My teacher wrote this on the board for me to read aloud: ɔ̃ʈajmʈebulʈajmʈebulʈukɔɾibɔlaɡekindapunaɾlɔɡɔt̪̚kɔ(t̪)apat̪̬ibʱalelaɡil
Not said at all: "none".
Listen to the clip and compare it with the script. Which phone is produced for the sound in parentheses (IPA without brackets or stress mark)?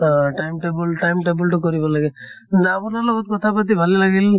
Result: t̪ʰ